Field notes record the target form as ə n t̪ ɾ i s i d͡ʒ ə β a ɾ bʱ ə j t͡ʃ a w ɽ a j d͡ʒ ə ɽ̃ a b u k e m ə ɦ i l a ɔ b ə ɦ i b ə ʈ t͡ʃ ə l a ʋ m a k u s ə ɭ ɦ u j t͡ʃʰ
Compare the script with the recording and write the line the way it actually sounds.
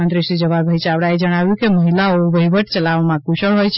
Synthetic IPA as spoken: ə n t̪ ɾ i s i d͡ʒ ə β a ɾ bʱ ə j t͡ʃ a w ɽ a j d͡ʒ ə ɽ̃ a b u k e m ə ɦ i l a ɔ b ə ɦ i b ə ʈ t͡ʃ ə l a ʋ m a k u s ə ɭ ɦ o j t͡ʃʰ